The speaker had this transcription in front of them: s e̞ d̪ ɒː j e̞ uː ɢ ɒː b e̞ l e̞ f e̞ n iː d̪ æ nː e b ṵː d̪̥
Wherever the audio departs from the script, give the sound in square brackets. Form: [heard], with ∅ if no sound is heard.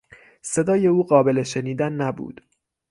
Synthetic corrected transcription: s e̞ d̪ ɒː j e̞ uː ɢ ɒː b e̞ l e̞ [ʃ] e̞ n iː d̪ æ nː [æ] b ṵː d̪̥